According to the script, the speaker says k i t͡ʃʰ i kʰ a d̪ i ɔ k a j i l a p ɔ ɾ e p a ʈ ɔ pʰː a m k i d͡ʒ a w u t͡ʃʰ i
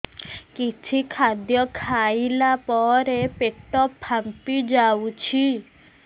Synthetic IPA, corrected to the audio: k i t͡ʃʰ i kʰ a d̪ j ɔ kʰ a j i l a p ɔ ɾ e p e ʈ ɔ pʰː a m p i d͡ʒ a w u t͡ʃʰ i